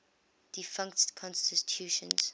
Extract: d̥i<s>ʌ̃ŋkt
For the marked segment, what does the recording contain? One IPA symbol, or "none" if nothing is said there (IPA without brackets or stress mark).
f